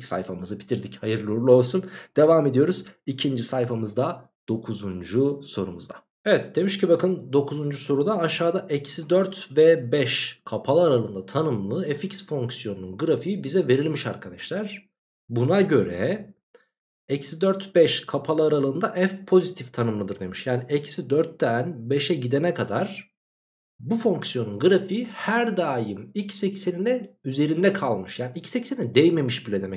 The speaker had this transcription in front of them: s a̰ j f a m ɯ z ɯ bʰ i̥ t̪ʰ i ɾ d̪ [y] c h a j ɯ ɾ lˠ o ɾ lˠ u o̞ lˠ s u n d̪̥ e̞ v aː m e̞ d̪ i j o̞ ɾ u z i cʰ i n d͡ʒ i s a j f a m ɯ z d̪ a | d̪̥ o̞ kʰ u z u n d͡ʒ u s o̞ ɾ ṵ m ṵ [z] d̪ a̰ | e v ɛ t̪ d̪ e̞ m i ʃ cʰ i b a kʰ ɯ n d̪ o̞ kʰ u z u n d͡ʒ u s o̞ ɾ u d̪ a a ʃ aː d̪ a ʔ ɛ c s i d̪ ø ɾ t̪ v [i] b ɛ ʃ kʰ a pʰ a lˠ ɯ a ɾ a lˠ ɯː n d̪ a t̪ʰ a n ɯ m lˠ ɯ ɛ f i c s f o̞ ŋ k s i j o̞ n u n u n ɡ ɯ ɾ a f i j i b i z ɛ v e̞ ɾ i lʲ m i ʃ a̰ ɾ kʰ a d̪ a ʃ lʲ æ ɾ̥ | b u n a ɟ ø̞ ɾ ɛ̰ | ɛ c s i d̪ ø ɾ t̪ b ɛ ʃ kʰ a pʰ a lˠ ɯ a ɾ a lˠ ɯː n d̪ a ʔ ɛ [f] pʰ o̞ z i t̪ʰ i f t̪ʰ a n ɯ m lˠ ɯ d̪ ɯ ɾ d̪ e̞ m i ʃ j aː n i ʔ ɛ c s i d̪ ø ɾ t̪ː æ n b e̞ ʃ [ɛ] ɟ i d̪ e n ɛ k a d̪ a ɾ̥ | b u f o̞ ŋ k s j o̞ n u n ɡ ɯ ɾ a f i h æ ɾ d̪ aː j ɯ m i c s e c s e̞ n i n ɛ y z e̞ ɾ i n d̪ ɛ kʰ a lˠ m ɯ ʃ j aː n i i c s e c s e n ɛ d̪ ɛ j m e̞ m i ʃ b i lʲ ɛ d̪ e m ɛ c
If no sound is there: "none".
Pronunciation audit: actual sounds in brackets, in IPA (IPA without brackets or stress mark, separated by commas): i, z, ɛ, f, ɛ